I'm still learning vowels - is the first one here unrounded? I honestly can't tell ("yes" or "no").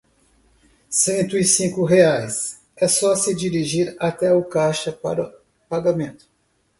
yes